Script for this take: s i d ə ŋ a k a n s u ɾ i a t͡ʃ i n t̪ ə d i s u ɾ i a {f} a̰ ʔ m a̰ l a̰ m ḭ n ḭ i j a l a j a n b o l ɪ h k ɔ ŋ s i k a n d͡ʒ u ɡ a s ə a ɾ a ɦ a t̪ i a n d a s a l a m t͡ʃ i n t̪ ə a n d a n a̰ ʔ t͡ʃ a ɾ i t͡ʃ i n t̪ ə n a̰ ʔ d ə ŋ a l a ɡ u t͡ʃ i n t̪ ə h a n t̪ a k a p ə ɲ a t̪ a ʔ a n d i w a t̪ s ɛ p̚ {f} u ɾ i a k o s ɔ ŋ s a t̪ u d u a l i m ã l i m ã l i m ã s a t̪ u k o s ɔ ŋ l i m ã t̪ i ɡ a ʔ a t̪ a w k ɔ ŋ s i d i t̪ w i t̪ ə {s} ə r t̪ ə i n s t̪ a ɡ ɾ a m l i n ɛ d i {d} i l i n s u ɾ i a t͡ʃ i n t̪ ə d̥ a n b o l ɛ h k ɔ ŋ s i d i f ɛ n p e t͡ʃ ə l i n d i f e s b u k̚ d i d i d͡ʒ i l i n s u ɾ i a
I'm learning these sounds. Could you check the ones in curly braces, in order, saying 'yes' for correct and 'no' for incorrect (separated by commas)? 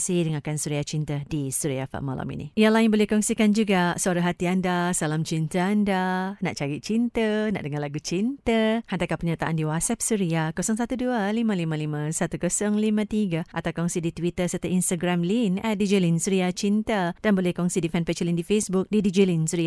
yes, no, yes, no